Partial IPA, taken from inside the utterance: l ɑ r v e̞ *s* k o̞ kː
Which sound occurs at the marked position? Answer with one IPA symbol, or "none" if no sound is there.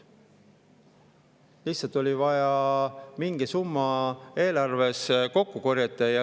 s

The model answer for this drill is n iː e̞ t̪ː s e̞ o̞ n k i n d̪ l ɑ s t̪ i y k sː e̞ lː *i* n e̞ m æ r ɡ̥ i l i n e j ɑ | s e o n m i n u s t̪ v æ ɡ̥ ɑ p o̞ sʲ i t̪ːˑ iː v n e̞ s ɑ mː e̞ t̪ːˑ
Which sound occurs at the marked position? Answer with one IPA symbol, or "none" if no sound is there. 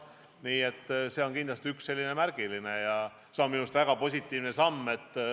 i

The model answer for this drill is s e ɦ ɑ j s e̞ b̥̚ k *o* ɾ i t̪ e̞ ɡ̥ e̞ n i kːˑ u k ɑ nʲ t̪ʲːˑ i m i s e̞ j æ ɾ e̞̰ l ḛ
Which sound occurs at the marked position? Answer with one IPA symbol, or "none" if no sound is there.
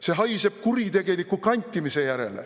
u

